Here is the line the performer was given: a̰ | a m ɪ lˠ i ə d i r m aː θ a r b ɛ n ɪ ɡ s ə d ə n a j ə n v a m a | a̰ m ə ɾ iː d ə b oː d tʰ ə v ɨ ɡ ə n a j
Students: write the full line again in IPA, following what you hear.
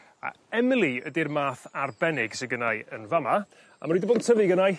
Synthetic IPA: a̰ | ɛ m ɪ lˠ i ə d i r m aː θ a r b ɛ n ɪ ɡ s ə ɡ ə n a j ə n v a m a | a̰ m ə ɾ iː d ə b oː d tʰ ə v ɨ ɡ ə n a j